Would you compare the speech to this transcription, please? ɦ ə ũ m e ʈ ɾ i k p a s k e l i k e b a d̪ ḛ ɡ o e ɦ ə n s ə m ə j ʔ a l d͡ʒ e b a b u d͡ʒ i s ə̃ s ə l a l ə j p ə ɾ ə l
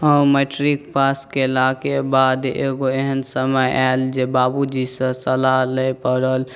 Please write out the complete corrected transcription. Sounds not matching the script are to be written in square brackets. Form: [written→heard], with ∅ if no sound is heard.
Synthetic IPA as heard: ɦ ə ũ m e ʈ ɾ i k p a s k e l [i→a] k e b a d̪ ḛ ɡ o e ɦ ə n s ə m ə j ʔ a l d͡ʒ e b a b u d͡ʒ i s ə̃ s ə l a l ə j p ə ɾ ə l